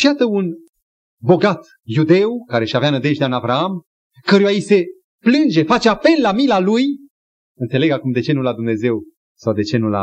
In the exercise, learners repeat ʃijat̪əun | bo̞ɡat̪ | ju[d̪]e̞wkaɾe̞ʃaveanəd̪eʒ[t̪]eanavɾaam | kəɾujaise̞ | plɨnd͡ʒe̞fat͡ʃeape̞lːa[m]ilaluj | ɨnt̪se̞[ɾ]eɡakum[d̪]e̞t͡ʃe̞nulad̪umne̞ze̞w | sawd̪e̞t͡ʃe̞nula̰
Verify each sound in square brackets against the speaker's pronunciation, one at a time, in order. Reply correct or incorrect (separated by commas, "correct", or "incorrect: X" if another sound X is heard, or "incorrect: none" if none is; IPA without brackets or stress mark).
correct, incorrect: d̪, correct, incorrect: l, correct